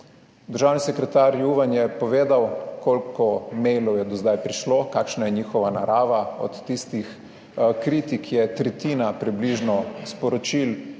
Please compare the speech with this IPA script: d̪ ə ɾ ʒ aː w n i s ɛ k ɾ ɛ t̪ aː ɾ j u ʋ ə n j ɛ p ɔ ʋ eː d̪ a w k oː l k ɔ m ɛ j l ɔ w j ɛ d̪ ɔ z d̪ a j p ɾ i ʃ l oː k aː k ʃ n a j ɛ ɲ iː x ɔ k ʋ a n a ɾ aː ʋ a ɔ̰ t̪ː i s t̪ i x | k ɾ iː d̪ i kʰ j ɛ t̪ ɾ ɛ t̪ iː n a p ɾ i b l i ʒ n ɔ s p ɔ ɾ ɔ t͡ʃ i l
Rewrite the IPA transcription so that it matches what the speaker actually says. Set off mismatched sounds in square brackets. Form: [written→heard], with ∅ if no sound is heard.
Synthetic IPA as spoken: d̪ ə ɾ ʒ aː w n i s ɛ k ɾ ɛ t̪ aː ɾ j u ʋ [ə→a] n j ɛ p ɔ ʋ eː d̪ a w k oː l k ɔ m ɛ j l ɔ w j ɛ d̪ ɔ z d̪ a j p ɾ i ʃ l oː k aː k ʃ n a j ɛ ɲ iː x ɔ [k→∅] ʋ a n a ɾ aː ʋ a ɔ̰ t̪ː i s t̪ i x | k ɾ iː [d̪→t̪] i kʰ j ɛ t̪ ɾ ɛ t̪ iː n a p ɾ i b l i ʒ n ɔ s p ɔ ɾ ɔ t͡ʃ i l